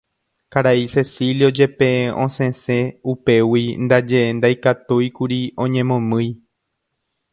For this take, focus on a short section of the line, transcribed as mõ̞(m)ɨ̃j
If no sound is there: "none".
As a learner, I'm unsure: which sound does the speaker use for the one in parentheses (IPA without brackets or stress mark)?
m